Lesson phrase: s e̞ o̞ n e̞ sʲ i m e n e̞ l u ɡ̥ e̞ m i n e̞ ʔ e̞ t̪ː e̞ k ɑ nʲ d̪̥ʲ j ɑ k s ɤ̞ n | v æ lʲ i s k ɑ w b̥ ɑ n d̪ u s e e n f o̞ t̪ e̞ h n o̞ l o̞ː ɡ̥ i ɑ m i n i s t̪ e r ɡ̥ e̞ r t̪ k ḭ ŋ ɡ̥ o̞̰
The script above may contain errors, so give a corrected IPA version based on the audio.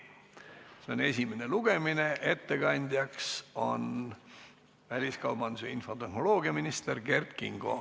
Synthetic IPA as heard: s e̞ o̞ n e̞ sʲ i m e n e̞ l u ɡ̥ e̞ m i n e̞ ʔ e̞ t̪ː e̞ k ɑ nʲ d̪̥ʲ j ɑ k s o̞ n | v æ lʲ i s k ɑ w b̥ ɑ n d̪ u s e i n f o̞ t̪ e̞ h n o̞ l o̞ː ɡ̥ i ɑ m i n i s t̪ e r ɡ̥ e̞ r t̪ k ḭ ŋ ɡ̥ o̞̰